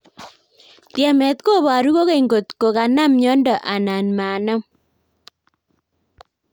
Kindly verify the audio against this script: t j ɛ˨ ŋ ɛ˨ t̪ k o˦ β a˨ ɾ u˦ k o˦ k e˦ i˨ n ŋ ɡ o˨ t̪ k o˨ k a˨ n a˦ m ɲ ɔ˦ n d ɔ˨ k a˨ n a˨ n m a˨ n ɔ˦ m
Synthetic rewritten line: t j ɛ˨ m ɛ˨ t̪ k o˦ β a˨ ɾ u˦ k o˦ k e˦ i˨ ŋ ɡ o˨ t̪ k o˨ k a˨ n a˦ m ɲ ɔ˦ n d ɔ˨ ʔ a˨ n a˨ n m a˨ n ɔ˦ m